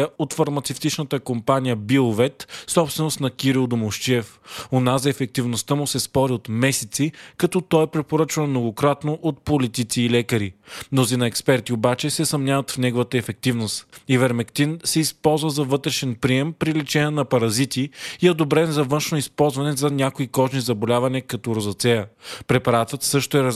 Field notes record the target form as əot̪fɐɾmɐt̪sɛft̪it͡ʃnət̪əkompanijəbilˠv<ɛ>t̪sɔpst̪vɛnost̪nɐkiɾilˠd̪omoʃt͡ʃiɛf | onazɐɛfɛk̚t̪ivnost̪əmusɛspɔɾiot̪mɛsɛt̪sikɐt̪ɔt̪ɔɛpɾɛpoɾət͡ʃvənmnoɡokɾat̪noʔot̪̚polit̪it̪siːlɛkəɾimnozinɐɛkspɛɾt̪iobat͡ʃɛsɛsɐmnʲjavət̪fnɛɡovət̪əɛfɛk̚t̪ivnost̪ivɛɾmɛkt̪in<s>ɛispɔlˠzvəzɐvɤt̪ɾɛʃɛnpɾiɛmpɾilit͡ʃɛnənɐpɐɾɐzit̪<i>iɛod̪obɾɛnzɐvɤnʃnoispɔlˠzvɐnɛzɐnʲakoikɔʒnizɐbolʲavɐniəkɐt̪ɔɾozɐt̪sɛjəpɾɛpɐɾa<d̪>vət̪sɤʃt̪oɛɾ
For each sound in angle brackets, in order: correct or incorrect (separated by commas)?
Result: correct, correct, correct, incorrect